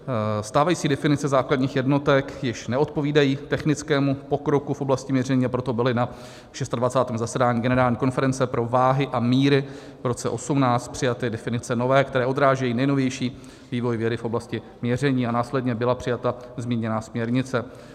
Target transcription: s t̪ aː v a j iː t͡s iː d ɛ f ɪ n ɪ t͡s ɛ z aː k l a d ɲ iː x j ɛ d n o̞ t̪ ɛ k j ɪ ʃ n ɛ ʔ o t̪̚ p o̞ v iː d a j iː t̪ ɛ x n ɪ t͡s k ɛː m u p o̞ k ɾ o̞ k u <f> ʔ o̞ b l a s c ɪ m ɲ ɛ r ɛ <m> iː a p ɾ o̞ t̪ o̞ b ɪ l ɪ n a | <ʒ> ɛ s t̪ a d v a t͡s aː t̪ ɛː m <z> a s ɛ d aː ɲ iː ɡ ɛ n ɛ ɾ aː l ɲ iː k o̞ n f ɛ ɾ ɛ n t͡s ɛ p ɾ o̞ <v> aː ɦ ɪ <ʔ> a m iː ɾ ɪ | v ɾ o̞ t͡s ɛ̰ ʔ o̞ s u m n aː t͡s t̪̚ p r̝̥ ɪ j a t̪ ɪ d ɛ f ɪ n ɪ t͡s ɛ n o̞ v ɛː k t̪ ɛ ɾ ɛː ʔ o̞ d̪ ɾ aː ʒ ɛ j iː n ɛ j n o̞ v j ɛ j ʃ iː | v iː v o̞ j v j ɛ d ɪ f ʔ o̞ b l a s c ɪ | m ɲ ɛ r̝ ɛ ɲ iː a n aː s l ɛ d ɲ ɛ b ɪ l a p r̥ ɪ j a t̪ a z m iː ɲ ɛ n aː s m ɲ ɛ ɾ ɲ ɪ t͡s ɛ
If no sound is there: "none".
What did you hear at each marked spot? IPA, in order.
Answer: f, ɲ, ʃ, z, v, ʔ

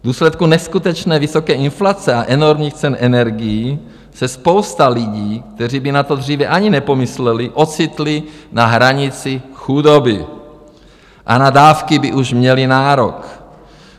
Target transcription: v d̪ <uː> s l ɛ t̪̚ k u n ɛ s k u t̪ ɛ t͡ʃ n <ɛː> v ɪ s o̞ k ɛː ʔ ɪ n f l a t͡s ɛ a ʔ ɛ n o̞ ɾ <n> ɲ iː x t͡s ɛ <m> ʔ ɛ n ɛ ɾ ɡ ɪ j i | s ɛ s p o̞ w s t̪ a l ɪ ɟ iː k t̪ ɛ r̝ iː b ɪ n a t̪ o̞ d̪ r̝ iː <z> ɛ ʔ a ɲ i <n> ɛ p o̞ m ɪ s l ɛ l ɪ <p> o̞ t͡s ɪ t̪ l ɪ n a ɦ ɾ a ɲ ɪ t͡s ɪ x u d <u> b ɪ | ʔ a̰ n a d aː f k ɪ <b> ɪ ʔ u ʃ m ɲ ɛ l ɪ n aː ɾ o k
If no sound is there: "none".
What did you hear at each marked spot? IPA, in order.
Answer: uː, ɛː, m, n, v, n, ʔ, o, b

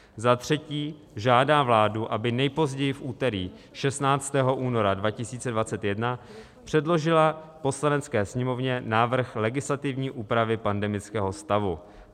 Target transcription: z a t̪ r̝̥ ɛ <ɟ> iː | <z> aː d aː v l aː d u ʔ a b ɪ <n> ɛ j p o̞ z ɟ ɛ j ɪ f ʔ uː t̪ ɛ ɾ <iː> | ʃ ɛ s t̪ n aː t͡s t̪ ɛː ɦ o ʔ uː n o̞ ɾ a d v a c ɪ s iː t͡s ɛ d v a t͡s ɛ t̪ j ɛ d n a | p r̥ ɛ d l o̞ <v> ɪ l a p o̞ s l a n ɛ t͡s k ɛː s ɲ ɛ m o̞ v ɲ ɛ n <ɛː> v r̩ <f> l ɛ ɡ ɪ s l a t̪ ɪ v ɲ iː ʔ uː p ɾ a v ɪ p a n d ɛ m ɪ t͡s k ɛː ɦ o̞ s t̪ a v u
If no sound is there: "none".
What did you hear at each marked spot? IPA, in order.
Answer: c, ʒ, n, iː, ʒ, aː, x

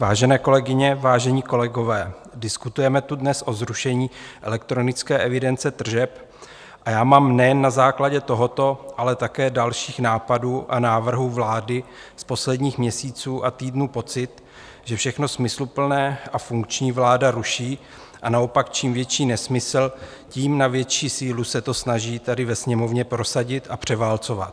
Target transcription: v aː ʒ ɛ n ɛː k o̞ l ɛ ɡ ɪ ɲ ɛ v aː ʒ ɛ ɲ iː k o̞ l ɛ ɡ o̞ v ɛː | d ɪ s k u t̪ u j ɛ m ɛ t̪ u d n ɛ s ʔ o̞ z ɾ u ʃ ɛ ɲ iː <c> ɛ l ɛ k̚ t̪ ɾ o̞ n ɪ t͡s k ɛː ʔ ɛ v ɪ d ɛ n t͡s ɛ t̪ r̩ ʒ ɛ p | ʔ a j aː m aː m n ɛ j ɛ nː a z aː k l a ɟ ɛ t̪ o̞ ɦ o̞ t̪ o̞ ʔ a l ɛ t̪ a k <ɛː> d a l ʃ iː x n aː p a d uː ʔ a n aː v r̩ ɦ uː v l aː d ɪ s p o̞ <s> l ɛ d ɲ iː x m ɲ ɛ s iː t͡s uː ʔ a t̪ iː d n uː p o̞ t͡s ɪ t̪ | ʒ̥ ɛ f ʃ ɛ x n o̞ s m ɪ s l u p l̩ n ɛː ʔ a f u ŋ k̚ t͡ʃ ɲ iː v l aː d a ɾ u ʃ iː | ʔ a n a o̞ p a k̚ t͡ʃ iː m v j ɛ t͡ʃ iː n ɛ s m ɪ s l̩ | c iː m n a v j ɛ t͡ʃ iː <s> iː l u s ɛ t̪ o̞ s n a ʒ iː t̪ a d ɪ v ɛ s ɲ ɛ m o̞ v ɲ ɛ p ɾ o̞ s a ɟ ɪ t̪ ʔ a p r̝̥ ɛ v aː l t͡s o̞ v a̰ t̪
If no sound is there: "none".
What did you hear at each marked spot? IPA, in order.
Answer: ʔ, ɛː, s, s

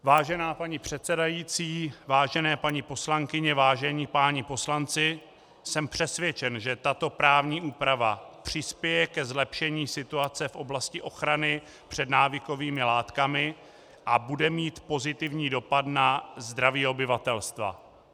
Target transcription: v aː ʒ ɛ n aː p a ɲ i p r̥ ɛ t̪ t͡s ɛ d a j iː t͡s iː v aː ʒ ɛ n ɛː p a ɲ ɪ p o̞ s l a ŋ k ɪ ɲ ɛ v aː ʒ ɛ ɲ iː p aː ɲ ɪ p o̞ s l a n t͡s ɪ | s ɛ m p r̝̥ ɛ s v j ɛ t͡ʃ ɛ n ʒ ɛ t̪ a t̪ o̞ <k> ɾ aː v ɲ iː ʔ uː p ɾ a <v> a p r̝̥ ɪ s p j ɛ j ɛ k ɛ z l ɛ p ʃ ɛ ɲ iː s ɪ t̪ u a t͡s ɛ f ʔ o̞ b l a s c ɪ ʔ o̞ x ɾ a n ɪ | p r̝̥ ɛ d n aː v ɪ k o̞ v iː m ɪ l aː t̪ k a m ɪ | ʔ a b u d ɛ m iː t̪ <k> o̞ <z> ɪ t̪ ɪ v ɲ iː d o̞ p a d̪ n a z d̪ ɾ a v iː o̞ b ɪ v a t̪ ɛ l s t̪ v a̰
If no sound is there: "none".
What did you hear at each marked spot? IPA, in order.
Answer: p, v, p, z

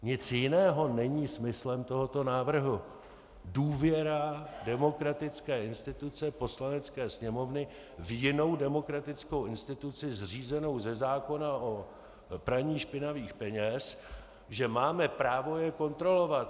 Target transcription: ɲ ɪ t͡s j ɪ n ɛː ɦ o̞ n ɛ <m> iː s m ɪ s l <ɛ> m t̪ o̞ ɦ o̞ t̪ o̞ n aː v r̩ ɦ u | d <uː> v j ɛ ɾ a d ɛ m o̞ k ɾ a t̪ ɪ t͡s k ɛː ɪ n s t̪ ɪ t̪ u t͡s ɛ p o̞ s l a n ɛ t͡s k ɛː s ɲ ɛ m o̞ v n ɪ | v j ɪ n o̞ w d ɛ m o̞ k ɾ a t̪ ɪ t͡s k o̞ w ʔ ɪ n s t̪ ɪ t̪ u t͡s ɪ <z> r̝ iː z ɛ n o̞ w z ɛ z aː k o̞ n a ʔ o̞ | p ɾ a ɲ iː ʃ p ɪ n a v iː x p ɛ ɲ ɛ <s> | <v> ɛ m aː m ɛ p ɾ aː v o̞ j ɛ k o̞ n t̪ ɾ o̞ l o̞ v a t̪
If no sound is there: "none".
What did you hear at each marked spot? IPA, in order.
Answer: ɲ, ɛ, uː, z, s, ʒ

